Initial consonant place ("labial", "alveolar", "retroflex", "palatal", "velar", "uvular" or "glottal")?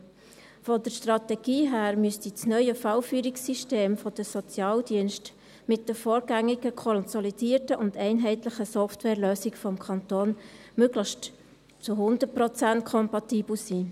labial